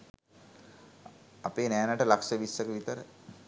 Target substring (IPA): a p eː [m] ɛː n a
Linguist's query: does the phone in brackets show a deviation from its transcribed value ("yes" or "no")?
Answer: yes